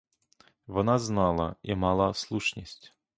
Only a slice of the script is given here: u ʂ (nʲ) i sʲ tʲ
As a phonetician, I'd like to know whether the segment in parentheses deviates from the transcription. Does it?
no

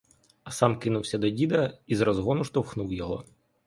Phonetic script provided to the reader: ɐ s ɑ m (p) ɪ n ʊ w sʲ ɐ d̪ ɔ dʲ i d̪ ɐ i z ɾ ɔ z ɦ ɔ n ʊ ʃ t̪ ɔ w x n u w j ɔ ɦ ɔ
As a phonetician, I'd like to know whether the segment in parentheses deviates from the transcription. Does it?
yes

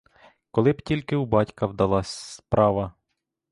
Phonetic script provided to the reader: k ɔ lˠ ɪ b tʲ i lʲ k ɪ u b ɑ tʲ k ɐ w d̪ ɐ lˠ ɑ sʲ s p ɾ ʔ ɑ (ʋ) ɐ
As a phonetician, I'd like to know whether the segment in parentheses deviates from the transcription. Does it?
no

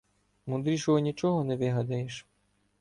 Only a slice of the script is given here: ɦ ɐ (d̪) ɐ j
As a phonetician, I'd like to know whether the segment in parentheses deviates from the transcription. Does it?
no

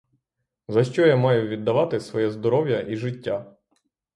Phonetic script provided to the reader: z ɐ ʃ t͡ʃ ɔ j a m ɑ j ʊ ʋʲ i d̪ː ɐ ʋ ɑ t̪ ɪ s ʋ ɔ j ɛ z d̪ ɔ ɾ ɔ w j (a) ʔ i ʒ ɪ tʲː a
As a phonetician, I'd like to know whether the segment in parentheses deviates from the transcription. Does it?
yes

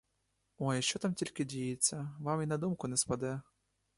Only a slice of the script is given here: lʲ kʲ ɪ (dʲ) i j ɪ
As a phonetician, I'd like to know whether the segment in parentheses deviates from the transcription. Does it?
no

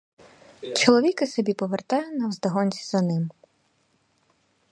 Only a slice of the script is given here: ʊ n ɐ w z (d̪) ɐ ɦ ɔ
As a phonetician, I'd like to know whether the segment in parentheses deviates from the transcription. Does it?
no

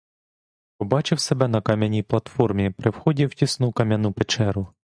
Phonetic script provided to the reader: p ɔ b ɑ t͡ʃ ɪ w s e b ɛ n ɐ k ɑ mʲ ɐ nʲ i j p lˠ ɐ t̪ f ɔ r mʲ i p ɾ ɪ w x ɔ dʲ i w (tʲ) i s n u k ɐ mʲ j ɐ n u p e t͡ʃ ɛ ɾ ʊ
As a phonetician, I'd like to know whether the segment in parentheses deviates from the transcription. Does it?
no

